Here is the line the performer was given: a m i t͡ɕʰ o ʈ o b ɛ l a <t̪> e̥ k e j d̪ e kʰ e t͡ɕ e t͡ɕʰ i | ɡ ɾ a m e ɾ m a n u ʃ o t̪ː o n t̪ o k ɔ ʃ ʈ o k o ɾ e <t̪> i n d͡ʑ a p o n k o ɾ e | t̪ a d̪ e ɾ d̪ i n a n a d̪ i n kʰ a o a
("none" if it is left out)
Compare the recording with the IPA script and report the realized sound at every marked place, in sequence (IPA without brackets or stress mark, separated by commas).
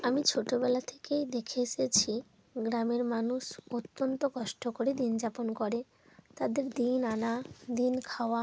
t̪ʰ, d̪